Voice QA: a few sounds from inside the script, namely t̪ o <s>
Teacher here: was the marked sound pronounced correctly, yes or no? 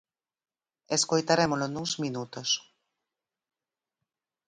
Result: yes